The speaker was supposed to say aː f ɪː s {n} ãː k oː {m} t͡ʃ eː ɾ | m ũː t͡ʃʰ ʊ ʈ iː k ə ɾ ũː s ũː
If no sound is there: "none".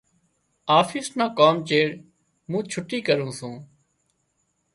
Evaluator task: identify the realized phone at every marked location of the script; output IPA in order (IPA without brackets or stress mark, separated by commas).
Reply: n, m